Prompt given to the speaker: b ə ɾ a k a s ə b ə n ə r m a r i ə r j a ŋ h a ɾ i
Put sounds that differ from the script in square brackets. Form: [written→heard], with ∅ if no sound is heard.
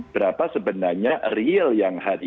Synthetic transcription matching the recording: b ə ɾ a [k→p] a s ə b ə n [ə→a] r [m→ɲ] a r i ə [r→l] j a ŋ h a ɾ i